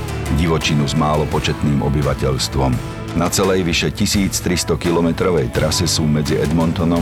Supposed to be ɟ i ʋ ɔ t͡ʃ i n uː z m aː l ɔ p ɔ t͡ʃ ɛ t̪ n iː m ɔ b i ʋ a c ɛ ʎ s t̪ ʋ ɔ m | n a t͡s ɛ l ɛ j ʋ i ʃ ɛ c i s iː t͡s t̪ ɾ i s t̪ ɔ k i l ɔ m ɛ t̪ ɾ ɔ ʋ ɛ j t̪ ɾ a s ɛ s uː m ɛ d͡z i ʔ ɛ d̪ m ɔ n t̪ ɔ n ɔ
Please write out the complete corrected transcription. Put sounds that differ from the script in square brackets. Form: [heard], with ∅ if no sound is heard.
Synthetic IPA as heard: ɟ i ʋ ɔ t͡ʃ i n [u] z m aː l ɔ p ɔ t͡ʃ ɛ t̪ n iː m ɔ b i ʋ a c ɛ ʎ s t̪ ʋ ɔ m | n a t͡s ɛ l ɛ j ʋ i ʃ ɛ c i s iː t͡s t̪ ɾ i s t̪ ɔ k i l ɔ m ɛ t̪ ɾ ɔ ʋ ɛ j t̪ ɾ a s ɛ s uː m ɛ d͡z i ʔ ɛ d̪ m ɔ n t̪ ɔ n ɔ